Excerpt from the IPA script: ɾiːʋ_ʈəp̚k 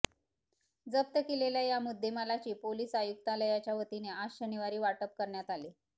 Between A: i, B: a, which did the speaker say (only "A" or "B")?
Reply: B